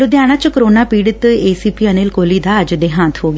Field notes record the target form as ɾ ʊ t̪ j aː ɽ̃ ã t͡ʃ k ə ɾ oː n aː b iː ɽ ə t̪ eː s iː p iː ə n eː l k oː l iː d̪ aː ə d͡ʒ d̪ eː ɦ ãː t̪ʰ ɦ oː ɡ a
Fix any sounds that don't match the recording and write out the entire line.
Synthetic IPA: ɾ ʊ d̪ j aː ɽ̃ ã t͡ʃ k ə ɾ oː n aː p iː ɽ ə t̪ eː s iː p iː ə n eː l k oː l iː d̪ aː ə d͡ʒ d̪ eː ɦ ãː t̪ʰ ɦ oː ɡ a